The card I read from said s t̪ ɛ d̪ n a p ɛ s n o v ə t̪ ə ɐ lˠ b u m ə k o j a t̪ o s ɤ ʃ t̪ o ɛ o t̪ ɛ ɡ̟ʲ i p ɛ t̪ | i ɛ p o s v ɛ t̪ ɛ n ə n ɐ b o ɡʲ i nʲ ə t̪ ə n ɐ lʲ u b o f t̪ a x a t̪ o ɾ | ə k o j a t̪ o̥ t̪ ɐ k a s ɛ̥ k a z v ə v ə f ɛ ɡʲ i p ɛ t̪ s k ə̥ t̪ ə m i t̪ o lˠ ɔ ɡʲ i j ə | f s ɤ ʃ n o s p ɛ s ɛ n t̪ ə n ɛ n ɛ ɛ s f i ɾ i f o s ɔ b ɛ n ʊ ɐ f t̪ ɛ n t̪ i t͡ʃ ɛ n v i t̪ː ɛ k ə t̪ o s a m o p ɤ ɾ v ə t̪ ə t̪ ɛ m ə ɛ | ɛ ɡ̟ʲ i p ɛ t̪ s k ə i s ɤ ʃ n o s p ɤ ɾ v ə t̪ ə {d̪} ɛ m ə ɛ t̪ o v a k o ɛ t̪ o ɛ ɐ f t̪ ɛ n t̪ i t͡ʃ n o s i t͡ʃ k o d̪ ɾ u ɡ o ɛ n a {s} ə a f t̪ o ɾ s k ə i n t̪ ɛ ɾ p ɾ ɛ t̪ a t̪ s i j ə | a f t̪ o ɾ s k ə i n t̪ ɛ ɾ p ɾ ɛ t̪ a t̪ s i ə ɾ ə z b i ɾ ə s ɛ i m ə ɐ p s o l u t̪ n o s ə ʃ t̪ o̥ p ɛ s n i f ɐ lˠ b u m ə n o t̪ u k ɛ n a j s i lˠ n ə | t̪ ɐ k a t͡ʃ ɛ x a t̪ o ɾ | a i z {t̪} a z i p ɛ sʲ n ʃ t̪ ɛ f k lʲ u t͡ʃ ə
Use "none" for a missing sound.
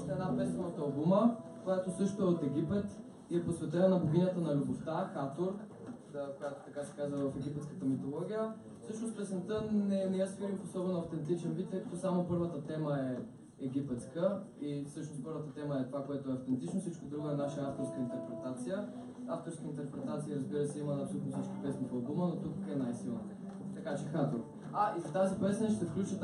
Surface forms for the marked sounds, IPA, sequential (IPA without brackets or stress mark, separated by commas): t̪, ʃ, t̪